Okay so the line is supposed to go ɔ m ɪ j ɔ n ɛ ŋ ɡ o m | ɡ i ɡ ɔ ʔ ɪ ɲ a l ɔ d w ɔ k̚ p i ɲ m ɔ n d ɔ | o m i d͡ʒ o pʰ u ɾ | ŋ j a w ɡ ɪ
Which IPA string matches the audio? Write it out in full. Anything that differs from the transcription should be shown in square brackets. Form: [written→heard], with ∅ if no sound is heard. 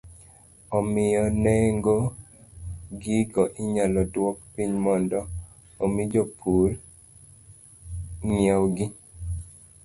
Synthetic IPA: ɔ m ɪ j ɔ n ɛ ŋ ɡ o [m→∅] | ɡ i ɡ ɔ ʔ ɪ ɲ a l ɔ d w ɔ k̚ p i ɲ m ɔ n d ɔ | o m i d͡ʒ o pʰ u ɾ | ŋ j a w ɡ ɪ